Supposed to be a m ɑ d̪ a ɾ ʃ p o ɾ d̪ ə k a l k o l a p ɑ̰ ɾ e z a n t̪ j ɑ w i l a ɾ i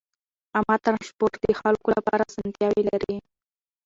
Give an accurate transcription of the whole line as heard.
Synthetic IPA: a m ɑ t̪ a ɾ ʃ p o ɾ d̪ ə x a l k o l a p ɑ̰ ɾ a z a n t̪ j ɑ w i l a ɾ i

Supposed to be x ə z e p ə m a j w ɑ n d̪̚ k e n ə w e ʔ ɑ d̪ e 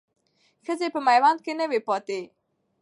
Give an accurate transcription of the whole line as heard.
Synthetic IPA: x ə z e p ə m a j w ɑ n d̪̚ k e n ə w e p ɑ t̪ e

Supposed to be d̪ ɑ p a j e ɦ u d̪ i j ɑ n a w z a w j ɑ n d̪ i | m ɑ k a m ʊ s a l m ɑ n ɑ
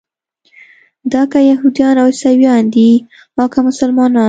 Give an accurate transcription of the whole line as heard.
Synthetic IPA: d̪ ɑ k a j a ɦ u d̪ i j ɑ n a w s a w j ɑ n d̪ i | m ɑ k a m ʊ s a l m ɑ n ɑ

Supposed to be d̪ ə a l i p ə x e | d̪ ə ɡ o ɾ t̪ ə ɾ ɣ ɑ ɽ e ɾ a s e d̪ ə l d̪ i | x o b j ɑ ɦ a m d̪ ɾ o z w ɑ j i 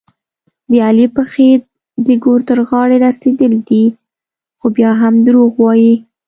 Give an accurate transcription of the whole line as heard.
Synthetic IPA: d̪ ə a l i p ə x e | d̪ ə ɡ o ɾ t̪ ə ɾ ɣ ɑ ɽ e ɾ a s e d̪ ə l d̪ i | x o b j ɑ ɦ a m d̪ ɾ o ɣ w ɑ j i

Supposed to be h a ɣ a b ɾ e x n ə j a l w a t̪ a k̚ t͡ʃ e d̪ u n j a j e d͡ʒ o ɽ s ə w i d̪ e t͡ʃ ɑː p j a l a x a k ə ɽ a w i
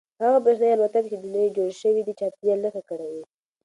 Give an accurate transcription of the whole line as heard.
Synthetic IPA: h a ɣ a b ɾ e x n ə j a l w a t̪ a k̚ t͡ʃ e d̪ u n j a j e d͡ʒ o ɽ ʃ ə w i d̪ i t͡ʃ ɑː p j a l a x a k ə ɽ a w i

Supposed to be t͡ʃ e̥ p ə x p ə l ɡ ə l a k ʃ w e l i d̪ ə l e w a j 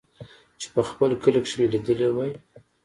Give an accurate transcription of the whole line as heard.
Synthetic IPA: t͡ʃ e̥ p ə x p ə l k ə l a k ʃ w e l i d̪ ə l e w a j

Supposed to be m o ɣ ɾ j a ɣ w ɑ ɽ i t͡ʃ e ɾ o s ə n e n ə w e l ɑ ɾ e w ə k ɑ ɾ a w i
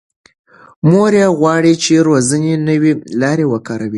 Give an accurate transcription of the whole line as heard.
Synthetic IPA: m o ɾ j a ɣ w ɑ ɽ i t͡ʃ e ɾ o z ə n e n ə w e l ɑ ɾ e w ə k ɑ ɾ a w i

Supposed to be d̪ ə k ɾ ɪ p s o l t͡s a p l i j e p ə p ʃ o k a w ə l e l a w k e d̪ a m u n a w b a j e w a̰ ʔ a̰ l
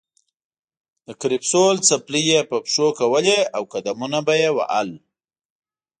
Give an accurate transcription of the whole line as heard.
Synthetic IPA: d̪ ə k ɾ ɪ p s o l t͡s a p l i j e p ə p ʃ o k a w ə l e a w k a d̪ a m u n a b a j e w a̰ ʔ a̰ l

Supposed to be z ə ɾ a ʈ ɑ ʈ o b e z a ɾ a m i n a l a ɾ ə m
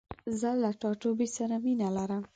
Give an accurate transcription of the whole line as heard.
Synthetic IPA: z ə l a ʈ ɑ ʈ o b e s a ɾ a m i n a l a ɾ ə m

